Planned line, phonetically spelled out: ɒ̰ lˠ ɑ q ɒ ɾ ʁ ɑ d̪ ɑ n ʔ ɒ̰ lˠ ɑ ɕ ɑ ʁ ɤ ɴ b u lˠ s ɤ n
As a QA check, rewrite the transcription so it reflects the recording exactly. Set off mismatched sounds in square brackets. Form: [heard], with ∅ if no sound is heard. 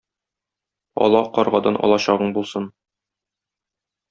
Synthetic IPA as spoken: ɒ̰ lˠ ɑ q ɒ ɾ ʁ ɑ d̪ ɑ n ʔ ɒ̰ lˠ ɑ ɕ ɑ ʁ ɤ ɴ b u lˠ s ɤ n